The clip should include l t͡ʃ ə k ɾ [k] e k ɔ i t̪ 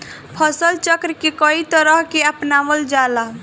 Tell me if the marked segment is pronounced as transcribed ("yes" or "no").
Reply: yes